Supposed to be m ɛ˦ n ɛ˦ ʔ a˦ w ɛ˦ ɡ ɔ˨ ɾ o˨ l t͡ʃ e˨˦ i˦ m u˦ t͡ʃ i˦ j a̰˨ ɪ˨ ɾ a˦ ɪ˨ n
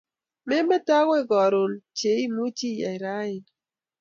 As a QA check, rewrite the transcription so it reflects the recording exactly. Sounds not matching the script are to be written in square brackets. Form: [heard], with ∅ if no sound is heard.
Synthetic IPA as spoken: m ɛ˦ [m] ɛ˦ [t] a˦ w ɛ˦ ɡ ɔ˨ ɾ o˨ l t͡ʃ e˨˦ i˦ m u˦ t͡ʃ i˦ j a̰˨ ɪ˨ ɾ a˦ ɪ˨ n

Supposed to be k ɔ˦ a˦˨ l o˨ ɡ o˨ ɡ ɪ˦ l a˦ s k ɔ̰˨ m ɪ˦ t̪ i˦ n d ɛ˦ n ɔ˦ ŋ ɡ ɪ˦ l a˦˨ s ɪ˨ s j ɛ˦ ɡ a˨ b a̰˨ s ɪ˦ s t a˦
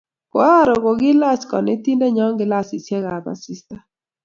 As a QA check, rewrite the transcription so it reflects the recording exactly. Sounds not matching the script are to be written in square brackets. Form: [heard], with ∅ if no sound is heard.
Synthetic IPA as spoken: k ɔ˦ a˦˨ [ɾ] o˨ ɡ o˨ ɡ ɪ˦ l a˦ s k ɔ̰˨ [n] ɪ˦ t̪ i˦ n d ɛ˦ [ɲ] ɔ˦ ŋ ɡ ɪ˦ l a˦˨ s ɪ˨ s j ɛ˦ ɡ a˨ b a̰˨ s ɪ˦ s t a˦

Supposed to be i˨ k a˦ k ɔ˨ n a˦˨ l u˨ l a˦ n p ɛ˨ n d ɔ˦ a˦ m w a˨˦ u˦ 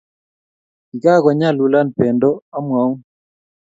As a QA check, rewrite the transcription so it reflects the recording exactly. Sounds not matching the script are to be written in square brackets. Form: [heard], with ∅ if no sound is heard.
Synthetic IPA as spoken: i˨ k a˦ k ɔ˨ [ɲ] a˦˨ l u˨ l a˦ n p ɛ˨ n d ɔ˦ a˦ m w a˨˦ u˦

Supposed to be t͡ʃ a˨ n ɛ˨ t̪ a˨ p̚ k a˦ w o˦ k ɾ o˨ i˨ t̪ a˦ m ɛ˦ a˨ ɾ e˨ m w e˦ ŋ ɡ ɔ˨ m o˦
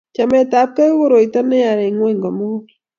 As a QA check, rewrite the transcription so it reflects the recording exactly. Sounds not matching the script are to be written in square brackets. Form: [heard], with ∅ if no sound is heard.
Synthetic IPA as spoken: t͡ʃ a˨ [m] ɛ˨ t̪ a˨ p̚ k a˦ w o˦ [∅] ɾ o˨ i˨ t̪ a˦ [n] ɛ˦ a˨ ɾ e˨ [ŋ] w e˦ ŋ ɡ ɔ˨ m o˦

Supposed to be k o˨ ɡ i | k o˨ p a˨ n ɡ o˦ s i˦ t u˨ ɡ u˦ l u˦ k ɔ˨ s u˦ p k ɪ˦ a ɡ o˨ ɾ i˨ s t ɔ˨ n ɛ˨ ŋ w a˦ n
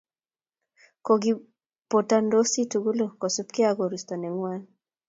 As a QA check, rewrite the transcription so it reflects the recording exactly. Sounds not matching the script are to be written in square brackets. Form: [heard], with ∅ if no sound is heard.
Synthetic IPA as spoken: k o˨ ɡ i | [p] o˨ [t] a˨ n [d] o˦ s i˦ t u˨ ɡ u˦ l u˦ k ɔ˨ s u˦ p k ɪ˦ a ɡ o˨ ɾ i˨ s t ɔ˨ n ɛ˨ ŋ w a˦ n

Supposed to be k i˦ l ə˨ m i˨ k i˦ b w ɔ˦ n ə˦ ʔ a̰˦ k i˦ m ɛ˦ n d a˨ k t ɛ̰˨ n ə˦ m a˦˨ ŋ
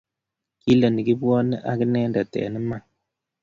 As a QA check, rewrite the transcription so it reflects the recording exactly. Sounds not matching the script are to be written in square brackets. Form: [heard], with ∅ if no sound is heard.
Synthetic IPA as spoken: k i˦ l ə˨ [n] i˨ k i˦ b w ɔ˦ n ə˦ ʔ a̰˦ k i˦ [n] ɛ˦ n d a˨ [∅] t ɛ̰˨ n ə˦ m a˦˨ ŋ

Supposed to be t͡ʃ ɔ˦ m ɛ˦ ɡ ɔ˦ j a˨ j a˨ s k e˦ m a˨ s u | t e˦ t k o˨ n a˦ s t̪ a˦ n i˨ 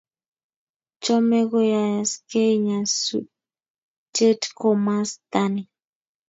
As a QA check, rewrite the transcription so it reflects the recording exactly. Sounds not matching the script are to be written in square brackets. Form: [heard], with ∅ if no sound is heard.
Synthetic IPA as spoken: t͡ʃ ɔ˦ m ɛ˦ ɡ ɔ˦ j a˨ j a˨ s k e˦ [ɲ] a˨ s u | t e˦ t k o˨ [m] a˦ s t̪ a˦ n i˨

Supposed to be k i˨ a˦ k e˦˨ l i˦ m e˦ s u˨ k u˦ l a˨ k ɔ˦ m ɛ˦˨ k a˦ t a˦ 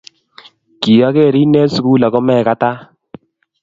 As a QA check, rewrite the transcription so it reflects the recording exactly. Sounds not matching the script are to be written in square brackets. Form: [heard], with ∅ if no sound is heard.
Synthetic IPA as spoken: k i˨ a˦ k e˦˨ [ɾ] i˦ [n] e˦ s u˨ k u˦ l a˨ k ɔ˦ m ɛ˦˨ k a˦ t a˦

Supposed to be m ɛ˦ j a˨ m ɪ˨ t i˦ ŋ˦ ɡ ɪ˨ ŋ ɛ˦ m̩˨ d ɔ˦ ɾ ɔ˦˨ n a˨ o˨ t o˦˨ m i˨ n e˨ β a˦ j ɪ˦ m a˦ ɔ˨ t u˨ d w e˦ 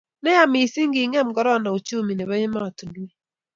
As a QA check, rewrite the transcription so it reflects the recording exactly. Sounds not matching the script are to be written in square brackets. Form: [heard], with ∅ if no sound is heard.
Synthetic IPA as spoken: [n] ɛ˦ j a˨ m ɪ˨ [s] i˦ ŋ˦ ɡ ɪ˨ ŋ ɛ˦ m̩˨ [ɡ] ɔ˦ ɾ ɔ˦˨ n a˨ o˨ [t͡ʃ] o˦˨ m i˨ n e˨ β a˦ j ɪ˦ m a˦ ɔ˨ t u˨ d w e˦

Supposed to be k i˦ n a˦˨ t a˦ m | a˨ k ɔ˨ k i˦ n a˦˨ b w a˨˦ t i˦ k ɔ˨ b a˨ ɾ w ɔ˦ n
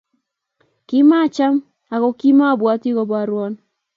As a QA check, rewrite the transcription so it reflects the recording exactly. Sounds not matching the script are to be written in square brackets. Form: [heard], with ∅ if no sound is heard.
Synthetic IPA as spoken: k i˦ [m] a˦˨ [t͡ʃ] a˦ m | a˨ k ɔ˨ k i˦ [m] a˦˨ b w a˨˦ t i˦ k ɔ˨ b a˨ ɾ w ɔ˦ n

